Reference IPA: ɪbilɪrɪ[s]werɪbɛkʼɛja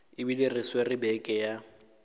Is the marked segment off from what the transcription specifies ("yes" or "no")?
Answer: no